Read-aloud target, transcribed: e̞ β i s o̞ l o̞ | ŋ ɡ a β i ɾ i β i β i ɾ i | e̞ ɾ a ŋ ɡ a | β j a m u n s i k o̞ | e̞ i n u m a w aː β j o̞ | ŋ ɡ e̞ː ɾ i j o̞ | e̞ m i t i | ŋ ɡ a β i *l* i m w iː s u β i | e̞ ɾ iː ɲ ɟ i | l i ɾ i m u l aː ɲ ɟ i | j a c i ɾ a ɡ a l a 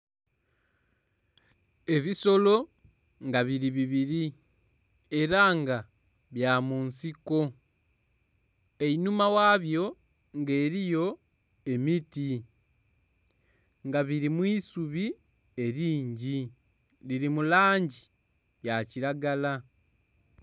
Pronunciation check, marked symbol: incorrect: ɾ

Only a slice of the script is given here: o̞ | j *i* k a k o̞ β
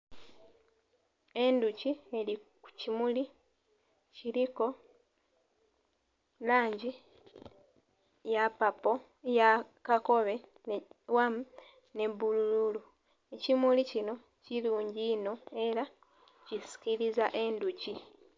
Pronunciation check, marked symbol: incorrect: a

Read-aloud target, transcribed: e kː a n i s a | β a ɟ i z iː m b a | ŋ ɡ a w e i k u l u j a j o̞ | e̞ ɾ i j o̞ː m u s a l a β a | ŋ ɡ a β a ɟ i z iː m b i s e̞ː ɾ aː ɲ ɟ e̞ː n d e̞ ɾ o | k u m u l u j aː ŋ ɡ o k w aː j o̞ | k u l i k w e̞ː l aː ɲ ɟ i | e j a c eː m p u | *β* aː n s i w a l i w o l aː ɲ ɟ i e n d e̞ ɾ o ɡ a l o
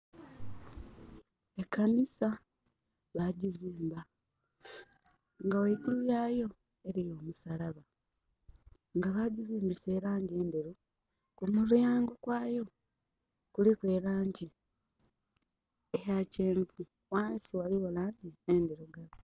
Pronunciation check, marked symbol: incorrect: w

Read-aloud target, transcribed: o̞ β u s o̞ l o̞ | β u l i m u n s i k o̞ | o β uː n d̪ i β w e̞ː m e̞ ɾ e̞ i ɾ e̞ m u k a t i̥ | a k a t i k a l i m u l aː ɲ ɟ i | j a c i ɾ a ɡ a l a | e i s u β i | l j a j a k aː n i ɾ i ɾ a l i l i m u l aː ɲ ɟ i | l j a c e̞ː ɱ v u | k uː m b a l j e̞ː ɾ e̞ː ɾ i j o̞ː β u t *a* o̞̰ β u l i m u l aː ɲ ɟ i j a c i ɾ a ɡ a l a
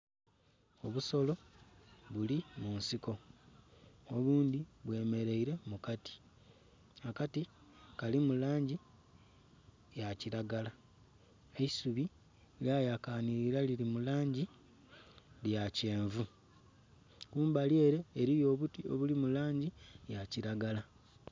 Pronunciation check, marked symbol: incorrect: i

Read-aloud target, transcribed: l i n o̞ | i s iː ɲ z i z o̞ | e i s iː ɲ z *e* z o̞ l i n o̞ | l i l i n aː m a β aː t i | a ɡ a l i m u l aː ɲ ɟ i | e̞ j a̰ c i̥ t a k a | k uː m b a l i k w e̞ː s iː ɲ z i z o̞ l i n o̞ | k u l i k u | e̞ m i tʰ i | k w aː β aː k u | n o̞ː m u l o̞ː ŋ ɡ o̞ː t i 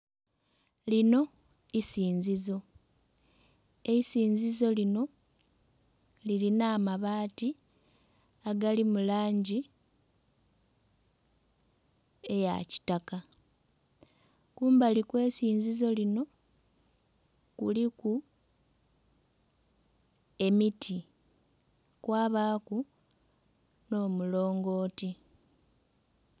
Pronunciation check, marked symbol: incorrect: i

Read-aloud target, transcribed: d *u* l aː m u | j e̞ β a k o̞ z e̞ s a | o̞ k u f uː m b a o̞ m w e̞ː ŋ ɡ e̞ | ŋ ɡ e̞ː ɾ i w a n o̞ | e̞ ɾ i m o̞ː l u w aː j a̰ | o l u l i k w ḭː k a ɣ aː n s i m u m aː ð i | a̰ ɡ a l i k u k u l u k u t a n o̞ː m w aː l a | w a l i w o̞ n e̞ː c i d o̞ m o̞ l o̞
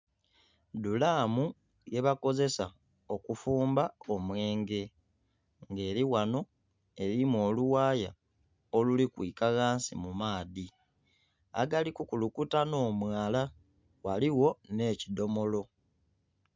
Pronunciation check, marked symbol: correct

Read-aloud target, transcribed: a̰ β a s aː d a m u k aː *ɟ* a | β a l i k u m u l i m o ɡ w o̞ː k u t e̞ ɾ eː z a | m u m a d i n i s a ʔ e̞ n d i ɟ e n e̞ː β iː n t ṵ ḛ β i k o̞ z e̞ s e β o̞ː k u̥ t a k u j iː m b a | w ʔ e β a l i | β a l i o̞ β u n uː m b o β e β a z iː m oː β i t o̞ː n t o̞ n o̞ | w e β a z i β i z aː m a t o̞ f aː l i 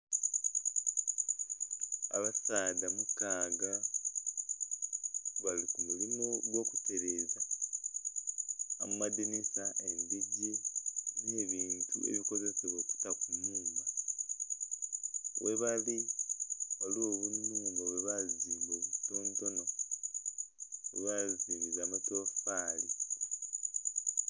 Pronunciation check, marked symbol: incorrect: ɡ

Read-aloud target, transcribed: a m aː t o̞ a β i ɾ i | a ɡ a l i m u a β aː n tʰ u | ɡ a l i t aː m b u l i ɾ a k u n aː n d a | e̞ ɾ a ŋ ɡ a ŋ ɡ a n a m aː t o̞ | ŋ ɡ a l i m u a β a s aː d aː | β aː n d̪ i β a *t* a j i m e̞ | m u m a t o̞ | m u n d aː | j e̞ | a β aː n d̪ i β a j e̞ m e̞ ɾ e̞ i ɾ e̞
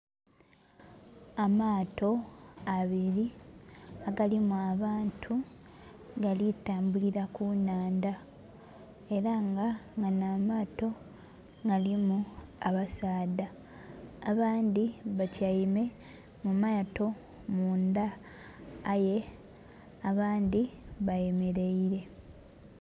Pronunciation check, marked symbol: incorrect: c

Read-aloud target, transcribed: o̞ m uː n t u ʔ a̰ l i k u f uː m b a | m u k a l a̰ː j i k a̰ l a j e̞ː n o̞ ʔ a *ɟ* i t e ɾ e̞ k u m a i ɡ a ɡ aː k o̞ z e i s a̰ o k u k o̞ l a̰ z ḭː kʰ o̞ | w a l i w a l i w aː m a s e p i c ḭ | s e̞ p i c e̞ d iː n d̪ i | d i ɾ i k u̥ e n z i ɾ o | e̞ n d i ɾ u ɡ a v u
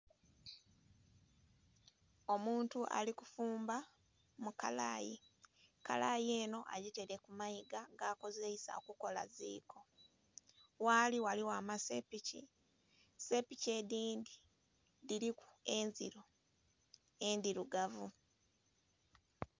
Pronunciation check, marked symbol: correct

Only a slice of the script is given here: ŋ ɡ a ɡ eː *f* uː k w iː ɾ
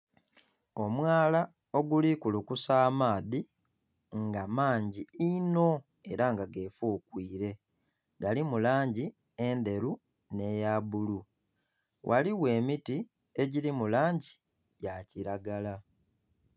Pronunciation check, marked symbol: correct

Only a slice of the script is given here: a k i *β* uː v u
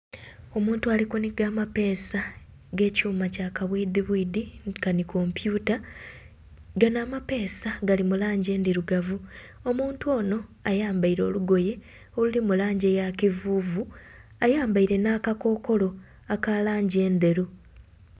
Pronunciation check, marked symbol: incorrect: v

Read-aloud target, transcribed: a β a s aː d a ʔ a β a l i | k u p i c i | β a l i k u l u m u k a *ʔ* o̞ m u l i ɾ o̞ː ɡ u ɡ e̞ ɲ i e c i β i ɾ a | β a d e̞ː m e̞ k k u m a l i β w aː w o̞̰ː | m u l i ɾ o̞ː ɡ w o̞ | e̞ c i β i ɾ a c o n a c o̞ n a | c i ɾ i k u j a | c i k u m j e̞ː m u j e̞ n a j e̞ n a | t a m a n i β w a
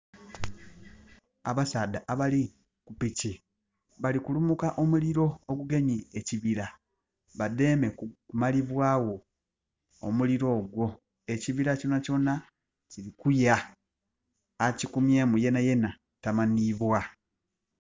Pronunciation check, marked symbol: correct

